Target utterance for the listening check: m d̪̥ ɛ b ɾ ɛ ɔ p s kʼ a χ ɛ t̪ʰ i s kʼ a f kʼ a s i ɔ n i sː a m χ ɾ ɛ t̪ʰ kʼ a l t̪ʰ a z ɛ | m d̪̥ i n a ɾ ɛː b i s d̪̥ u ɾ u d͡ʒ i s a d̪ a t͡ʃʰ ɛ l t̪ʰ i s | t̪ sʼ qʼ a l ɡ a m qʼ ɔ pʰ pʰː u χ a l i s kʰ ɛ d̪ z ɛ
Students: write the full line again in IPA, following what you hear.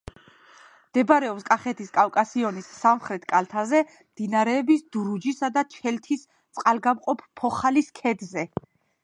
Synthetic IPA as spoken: m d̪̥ ɛ b ɾ ɛ ɔ p s kʼ a χ ɛ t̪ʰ i s kʼ a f kʼ a s i ɔ n i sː a m χ ɾ ɛ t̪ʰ kʼ a l t̪ʰ a z ɛ | m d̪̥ i n a ɾ ɛː b i s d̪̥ u ɾ u d͡ʒ i s a d̪ a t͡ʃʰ ɛ l t̪ʰ i s | t̪ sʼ qʼ a l ɡ a m qʼ ɔ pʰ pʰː ɔ χ a l i s kʰ ɛ d̪ z ɛ